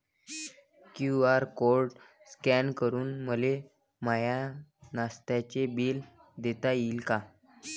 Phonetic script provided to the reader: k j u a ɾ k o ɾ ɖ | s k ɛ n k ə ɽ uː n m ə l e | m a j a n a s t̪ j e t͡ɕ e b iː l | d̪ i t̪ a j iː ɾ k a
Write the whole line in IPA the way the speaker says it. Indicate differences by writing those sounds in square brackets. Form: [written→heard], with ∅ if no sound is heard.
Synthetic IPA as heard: k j u a ɾ k o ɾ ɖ | s k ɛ n k ə [ɽ→ɾ] uː n m ə l e | m a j a n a s t̪ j [e→a] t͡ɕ e b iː l | d̪ [i→e] t̪ a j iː [ɾ→l] k a